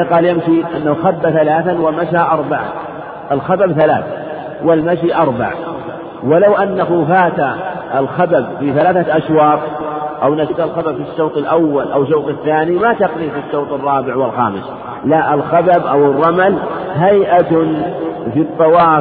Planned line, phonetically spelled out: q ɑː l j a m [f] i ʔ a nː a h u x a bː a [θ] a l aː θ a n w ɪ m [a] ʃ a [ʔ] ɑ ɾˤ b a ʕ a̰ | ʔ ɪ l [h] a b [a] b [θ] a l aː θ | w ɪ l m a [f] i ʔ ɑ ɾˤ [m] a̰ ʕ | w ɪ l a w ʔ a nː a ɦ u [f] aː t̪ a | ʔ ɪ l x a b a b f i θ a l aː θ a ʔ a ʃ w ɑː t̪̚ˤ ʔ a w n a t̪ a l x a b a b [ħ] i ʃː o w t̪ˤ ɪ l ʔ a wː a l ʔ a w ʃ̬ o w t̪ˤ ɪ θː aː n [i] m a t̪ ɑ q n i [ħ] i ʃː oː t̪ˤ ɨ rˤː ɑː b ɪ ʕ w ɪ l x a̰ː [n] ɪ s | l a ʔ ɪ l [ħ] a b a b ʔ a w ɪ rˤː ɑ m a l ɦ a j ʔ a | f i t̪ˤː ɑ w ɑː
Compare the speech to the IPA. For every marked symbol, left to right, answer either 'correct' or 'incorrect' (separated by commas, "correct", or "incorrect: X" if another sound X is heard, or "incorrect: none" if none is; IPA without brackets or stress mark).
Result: incorrect: ʃ, correct, correct, correct, incorrect: x, correct, correct, incorrect: ʃ, incorrect: b, correct, incorrect: f, correct, incorrect: f, incorrect: m, incorrect: x